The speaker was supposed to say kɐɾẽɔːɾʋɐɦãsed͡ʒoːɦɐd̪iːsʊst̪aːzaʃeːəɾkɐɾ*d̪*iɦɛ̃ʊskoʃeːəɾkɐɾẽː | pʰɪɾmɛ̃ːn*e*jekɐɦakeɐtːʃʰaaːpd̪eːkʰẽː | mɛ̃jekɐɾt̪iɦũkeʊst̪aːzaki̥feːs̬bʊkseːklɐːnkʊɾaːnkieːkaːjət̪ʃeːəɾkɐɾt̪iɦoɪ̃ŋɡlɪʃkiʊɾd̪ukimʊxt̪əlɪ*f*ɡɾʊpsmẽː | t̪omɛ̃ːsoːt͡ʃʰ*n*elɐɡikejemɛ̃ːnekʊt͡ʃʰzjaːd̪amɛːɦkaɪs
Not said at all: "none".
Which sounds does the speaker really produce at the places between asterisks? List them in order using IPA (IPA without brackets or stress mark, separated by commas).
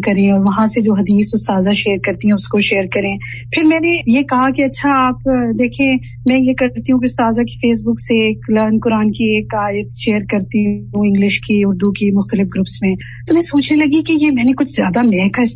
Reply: t̪, e, f, n